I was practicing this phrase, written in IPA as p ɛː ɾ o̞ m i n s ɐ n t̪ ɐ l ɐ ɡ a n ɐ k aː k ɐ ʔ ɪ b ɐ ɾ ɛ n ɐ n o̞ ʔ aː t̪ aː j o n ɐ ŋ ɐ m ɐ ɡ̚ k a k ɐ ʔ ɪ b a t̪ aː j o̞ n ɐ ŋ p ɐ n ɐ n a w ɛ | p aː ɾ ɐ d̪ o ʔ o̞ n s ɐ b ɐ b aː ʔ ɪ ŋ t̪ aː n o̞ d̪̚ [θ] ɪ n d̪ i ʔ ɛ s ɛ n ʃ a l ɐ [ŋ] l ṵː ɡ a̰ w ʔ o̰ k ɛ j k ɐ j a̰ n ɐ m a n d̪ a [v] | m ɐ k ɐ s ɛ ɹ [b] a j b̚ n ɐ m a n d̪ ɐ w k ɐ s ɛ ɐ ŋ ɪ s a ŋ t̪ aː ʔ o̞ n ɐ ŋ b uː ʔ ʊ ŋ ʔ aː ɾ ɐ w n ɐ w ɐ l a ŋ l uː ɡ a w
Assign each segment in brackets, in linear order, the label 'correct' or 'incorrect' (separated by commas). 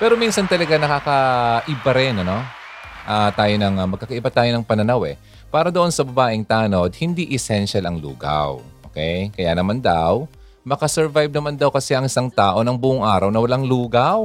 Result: incorrect, correct, incorrect, incorrect